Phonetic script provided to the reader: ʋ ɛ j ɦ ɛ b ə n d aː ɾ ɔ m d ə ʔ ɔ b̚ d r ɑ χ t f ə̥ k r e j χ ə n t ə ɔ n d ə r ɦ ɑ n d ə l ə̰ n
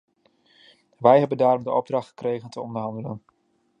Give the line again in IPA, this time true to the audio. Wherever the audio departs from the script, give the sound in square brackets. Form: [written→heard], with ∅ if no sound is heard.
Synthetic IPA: ʋ ɛ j ɦ ɛ b ə n d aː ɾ ɔ m d ə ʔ ɔ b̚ d r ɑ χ t [f→χ] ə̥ k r e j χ ə n t ə ɔ n d ə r ɦ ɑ n d ə l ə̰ n